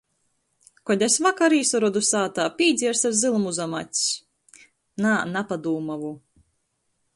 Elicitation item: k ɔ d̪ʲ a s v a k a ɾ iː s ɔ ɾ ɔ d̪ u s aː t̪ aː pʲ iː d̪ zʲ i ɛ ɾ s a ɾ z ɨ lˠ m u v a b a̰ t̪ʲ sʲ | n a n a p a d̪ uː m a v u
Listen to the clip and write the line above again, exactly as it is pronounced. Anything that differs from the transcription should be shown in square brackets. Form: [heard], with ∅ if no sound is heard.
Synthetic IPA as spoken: k ɔ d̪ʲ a s v a k a ɾ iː s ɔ ɾ ɔ d̪ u s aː t̪ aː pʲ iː d̪ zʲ i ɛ ɾ s a ɾ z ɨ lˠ m u [z] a [m] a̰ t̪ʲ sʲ | n a n a p a d̪ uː m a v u